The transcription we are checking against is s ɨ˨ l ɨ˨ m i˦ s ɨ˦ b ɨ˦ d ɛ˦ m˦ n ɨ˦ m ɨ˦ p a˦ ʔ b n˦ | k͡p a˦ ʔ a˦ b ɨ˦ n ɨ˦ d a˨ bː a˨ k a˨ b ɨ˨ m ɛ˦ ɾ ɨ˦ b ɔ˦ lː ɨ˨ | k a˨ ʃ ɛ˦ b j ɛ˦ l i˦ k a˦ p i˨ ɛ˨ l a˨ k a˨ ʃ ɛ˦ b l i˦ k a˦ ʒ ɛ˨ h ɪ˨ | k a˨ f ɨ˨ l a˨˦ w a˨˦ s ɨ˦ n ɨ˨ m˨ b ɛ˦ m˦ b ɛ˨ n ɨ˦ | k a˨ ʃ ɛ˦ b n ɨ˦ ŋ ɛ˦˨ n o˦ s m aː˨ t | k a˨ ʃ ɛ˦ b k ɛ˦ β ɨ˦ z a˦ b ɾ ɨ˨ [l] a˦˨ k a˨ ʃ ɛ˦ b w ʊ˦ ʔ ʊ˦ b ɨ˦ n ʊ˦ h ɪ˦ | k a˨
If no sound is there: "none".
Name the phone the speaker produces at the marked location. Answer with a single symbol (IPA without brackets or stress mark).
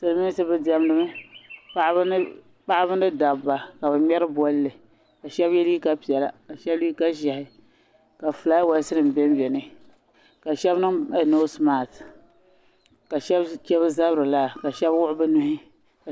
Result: l